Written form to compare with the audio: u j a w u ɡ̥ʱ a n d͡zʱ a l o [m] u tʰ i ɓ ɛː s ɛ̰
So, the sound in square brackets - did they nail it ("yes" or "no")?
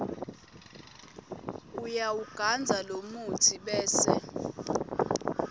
yes